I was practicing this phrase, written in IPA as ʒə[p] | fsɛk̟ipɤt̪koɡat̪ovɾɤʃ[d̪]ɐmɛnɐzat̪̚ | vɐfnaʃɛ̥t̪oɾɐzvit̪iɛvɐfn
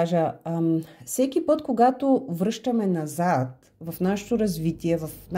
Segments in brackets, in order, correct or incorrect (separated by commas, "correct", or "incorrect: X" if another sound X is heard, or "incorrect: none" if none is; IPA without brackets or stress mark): incorrect: none, incorrect: t̪